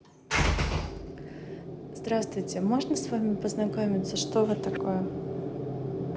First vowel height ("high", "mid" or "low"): low